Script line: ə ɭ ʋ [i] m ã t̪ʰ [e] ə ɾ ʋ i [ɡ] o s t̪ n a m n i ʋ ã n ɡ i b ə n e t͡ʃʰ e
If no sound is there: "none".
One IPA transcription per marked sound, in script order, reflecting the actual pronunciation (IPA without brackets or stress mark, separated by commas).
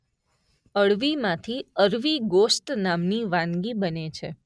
i, i, ɡ